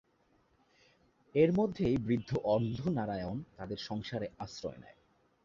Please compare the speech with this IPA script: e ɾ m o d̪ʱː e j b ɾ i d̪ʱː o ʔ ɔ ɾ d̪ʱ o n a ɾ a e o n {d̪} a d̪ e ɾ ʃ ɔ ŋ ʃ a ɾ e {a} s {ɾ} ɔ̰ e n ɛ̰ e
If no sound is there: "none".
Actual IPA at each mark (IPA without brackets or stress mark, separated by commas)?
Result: t̪, a, ɾ